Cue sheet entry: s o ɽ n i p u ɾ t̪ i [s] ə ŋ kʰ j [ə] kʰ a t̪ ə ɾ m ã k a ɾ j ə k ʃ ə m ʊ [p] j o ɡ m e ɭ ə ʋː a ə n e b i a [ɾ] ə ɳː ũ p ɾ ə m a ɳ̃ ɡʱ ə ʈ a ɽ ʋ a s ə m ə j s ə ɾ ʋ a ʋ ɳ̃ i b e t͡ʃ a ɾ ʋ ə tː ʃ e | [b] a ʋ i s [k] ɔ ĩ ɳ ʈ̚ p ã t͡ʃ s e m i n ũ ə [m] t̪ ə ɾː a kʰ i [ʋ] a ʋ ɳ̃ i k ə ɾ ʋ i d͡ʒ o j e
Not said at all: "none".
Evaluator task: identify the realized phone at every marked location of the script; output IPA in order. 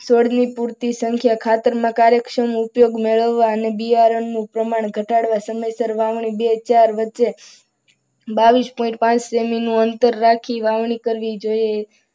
s, a, p, ɾ, b, p, n, ʋ

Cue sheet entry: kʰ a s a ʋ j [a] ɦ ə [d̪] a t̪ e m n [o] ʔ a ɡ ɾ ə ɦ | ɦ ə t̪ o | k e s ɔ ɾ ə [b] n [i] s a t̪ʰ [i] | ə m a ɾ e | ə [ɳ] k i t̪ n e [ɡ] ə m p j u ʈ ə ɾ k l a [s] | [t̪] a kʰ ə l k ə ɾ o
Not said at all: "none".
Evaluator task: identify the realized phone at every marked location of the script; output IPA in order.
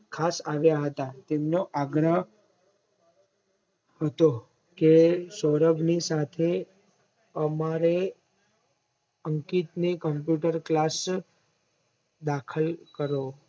a, t̪, o, b, i, e, ŋ, k, s, d̪

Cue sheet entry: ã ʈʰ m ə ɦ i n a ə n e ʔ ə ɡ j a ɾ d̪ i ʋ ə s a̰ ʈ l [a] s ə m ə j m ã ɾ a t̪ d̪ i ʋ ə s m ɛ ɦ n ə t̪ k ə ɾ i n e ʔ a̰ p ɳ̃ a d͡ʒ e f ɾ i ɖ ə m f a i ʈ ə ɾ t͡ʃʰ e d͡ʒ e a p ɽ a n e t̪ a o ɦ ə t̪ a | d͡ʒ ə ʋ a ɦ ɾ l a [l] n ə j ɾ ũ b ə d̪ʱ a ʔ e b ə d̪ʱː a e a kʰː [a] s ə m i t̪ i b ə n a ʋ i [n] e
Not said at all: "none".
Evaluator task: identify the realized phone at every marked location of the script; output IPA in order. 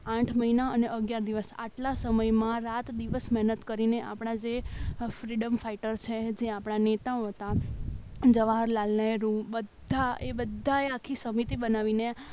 a, l, i, n

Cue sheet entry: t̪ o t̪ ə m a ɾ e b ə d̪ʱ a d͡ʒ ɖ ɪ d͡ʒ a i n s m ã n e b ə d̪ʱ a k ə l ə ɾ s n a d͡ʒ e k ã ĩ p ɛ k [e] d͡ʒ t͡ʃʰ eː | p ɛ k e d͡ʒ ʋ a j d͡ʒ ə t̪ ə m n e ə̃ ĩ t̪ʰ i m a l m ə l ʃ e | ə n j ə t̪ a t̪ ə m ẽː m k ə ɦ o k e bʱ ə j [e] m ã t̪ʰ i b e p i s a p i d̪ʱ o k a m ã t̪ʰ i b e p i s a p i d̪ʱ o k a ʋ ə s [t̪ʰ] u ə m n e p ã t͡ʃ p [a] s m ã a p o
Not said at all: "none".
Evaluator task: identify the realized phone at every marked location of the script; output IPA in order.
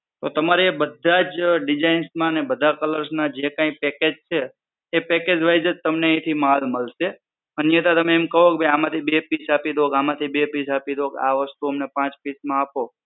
e, a, t̪, i

